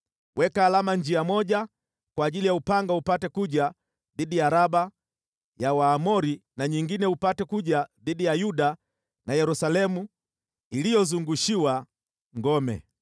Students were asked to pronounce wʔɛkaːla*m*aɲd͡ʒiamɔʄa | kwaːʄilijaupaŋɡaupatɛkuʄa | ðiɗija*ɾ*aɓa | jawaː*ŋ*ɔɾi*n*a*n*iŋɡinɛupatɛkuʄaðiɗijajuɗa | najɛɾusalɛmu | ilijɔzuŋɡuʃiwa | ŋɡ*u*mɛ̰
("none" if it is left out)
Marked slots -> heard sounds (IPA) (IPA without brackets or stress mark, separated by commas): m, ɾ, m, n, ɲ, ɔ